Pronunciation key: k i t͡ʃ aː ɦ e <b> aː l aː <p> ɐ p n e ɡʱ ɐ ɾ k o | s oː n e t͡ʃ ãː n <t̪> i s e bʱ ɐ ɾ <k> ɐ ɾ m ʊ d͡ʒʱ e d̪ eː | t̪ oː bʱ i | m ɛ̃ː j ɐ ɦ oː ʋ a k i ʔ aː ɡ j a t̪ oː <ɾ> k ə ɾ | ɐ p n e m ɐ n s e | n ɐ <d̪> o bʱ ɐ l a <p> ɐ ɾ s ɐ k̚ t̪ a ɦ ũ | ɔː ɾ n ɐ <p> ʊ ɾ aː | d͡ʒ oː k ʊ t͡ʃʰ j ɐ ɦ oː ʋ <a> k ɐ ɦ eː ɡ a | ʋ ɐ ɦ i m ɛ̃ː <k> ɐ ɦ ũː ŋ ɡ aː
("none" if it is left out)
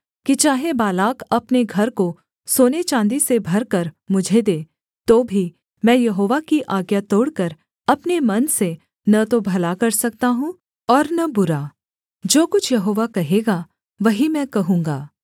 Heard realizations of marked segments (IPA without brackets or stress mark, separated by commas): b, k, d̪, k, ɽ, t̪, k, b, a, k